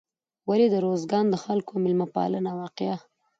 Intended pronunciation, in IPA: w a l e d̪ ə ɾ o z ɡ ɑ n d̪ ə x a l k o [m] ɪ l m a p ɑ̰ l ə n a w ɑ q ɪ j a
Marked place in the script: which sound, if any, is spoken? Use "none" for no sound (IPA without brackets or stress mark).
m